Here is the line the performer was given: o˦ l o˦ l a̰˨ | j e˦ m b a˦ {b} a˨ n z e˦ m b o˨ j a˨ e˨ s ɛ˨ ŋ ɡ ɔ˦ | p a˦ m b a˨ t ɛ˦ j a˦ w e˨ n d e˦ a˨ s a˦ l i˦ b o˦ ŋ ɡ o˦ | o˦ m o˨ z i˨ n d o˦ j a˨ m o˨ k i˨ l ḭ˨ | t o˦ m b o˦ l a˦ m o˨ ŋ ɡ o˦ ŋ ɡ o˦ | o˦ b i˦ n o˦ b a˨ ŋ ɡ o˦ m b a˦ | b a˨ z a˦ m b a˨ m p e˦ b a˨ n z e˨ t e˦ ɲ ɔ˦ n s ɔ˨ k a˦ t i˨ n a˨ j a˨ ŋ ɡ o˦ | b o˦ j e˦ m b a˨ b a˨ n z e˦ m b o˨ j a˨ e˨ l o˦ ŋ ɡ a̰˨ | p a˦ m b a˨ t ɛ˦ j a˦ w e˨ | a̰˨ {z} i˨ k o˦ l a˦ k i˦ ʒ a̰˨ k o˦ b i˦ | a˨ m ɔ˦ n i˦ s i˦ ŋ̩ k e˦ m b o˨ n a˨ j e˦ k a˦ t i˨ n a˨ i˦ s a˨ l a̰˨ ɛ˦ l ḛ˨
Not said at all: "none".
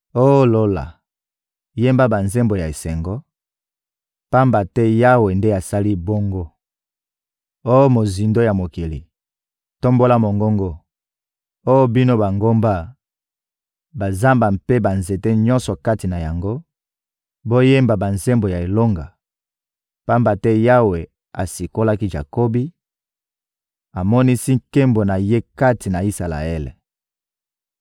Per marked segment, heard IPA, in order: b, s

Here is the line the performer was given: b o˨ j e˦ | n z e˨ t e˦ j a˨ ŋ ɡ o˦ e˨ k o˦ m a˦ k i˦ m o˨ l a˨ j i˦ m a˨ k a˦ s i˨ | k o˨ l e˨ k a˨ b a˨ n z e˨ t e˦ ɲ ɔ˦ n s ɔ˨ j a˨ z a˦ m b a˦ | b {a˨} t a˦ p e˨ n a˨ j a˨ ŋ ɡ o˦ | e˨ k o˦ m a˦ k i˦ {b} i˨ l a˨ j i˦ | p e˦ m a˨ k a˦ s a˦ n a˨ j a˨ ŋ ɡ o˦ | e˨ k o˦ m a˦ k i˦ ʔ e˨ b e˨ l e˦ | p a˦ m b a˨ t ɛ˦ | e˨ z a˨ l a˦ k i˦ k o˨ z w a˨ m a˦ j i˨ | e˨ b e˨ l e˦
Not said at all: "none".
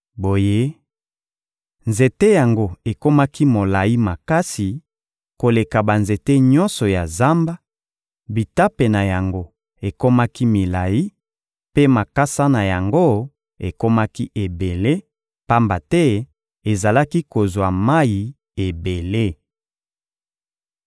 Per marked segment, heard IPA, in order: i˨, m

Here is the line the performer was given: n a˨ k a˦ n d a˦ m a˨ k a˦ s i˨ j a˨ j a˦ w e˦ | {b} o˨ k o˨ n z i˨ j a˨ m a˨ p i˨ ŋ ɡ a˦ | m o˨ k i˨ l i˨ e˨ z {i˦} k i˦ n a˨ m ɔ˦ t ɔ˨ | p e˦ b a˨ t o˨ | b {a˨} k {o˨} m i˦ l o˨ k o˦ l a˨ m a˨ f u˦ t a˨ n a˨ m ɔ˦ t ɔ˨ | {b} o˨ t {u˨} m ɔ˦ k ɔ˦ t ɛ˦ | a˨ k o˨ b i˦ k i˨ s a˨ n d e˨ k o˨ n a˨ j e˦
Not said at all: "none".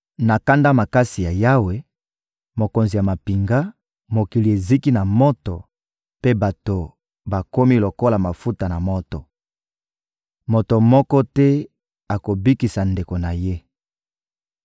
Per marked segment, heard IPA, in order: m, i˦, a˨, o˦, m, o˨

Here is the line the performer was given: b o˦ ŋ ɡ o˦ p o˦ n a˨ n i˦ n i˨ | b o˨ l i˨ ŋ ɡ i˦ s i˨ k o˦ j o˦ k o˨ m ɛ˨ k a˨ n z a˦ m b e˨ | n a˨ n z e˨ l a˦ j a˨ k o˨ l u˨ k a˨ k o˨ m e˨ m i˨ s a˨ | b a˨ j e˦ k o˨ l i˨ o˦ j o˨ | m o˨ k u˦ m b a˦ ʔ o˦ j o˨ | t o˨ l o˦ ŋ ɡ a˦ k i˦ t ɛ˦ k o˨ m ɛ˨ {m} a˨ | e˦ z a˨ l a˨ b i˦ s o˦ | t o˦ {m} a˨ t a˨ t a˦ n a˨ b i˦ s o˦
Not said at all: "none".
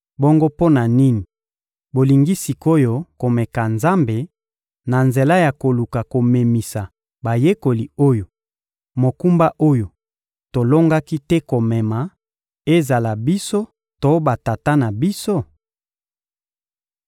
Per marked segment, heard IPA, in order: m, b

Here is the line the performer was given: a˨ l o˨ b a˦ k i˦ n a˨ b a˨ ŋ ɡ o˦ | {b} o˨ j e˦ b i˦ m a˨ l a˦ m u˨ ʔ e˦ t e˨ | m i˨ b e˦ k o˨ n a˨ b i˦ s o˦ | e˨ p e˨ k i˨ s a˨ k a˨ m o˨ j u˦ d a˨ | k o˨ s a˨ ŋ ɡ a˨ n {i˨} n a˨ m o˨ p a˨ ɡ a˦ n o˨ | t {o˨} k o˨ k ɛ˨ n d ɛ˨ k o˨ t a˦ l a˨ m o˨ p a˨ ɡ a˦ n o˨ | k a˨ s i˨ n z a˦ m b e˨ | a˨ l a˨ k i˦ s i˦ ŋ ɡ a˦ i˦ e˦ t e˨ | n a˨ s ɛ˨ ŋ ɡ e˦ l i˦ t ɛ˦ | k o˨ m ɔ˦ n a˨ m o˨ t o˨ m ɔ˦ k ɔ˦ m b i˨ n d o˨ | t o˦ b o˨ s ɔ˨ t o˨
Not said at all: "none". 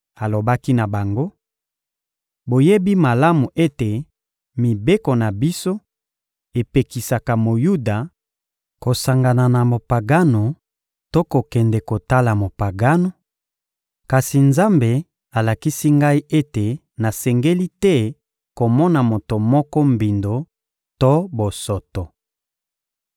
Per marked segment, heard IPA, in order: b, a˨, o˦

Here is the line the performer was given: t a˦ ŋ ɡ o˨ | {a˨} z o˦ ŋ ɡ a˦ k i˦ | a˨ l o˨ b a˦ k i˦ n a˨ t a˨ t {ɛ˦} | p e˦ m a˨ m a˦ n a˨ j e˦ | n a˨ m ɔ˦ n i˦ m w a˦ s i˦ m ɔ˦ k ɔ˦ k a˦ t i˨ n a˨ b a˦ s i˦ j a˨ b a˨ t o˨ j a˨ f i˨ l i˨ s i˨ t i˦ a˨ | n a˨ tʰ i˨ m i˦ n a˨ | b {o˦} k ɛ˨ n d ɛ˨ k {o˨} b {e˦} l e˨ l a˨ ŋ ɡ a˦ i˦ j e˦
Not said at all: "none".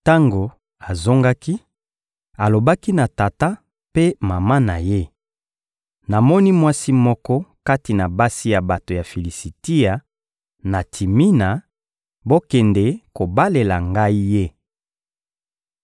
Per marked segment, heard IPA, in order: a˨, a˦, o˦, o˨, a˦

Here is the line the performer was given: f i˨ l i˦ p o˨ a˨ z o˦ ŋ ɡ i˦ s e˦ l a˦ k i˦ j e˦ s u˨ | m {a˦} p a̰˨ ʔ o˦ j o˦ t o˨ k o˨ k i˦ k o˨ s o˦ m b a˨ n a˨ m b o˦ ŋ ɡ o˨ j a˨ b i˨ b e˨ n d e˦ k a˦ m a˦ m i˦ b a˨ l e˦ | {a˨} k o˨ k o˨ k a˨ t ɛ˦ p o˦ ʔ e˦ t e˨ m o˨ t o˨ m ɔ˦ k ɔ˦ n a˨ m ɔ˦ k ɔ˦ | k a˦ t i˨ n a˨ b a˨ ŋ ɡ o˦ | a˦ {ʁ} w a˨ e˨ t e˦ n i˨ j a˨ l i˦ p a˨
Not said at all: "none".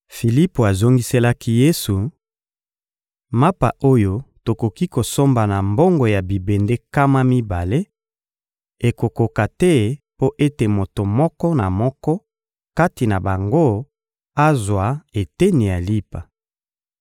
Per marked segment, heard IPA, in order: a˦, e˨, z

